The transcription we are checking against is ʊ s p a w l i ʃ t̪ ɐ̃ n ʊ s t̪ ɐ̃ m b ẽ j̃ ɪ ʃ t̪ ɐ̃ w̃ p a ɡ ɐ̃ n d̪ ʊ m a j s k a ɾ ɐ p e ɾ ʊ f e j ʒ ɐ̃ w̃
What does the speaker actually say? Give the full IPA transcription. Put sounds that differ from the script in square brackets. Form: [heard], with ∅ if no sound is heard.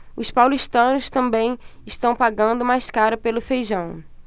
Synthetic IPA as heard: ʊ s p a w l i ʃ t̪ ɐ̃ n ʊ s t̪ ɐ̃ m b ẽ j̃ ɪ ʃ t̪ ɐ̃ w̃ p a ɡ ɐ̃ n d̪ ʊ m a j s k a ɾ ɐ p e [l] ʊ f e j ʒ ɐ̃ w̃